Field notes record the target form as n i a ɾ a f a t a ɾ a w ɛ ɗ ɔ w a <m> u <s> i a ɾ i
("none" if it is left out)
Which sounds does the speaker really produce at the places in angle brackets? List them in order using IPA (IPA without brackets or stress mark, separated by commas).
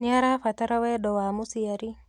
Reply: m, s